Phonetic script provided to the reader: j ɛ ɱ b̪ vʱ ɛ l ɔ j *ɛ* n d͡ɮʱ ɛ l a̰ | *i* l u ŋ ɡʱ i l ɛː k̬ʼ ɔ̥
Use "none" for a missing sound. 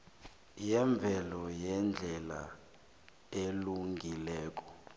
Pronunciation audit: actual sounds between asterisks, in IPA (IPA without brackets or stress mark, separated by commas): ɛ, e